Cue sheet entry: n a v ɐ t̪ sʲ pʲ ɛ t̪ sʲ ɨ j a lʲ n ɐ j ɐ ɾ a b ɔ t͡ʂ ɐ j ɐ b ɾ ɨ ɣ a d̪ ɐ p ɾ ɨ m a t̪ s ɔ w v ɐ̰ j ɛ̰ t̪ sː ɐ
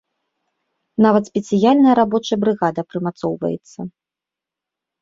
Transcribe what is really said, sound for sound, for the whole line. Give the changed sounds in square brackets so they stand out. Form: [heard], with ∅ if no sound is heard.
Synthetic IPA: n a v ɐ t̪ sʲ pʲ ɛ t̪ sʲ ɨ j a lʲ n ɐ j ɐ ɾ a b ɔ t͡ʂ ɐ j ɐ b ɾ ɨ ɣ a d̪ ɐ p ɾ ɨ m a t̪ s ɔ w v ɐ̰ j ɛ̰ t̪ sː ɐ